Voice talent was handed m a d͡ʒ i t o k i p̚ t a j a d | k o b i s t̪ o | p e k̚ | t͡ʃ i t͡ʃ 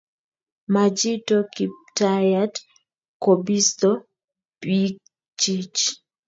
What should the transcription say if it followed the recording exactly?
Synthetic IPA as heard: m a d͡ʒ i t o k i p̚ t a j a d | k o b i s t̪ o | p i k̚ | t͡ʃ i t͡ʃ